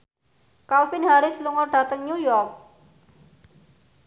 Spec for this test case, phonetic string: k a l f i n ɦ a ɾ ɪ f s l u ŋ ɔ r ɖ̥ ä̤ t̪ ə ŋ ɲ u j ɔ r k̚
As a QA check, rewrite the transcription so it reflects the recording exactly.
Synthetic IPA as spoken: k a l f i n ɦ a ɾ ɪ s l u ŋ ɔ r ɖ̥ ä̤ t̪ ə ŋ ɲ u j ɔ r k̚